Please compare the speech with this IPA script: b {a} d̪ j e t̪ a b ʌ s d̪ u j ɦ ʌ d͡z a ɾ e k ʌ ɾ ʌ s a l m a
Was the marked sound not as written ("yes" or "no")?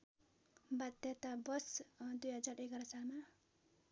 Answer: no